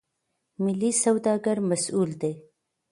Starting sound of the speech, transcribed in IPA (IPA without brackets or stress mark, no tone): m